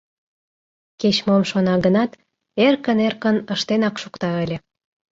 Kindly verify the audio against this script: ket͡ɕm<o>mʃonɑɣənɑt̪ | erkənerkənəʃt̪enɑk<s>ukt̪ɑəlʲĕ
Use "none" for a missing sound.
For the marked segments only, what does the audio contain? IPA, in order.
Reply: o, ʃ

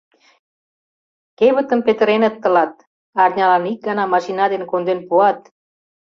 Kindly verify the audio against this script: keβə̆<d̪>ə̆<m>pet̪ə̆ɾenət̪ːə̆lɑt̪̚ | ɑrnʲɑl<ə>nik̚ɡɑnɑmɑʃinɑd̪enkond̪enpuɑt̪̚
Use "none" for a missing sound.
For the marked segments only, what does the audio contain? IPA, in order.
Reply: t̪, m, ɑ

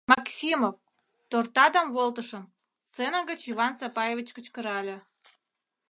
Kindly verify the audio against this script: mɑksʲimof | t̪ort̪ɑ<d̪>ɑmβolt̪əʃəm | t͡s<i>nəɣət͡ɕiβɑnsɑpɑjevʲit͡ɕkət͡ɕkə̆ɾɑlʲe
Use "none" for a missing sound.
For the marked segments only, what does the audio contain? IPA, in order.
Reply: d̪, e

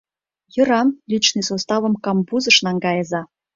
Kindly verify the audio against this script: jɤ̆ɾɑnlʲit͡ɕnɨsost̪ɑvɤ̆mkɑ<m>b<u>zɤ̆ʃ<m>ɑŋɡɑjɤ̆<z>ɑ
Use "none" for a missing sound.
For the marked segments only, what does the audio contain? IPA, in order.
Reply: m, u, n, z

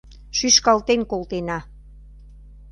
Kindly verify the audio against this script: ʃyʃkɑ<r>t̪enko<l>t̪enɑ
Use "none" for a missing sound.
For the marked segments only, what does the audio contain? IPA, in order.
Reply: l, l

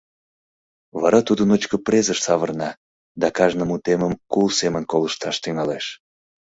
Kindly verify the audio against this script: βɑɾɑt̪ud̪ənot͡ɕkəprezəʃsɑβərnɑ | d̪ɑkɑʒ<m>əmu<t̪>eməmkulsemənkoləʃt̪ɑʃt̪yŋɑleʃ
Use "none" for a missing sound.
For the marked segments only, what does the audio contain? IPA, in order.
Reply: n, t̪

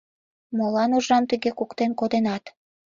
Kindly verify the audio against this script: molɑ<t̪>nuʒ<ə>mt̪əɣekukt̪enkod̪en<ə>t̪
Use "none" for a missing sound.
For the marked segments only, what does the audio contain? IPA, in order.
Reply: none, ɑ, ɑ

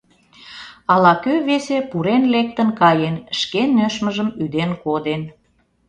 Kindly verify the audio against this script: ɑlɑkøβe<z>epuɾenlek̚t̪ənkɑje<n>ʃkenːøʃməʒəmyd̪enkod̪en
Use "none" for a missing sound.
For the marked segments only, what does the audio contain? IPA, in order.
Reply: s, n

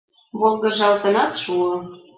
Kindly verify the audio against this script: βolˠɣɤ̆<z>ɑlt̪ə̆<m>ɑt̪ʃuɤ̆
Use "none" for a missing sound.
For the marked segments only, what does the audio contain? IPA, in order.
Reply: ʒ, n

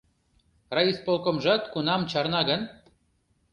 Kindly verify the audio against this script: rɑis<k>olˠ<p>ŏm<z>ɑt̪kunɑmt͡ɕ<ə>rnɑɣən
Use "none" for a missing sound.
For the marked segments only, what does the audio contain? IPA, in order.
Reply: p, k, ʒ, ɑ

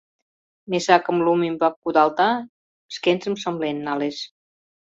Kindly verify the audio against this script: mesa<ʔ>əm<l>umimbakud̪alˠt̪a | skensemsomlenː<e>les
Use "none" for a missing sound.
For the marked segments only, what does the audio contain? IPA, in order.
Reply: k, l, a

